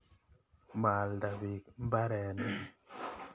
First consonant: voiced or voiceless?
voiced